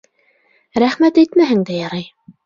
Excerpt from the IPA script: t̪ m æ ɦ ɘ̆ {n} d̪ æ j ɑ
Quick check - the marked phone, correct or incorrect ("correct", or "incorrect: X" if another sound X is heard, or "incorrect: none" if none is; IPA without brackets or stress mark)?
incorrect: ŋ